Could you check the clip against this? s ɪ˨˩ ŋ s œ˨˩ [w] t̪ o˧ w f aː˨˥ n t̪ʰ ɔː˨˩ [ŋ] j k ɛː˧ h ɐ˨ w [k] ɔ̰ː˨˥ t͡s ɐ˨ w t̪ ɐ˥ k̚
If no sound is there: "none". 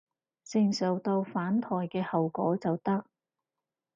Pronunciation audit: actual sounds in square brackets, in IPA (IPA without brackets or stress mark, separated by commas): w, none, k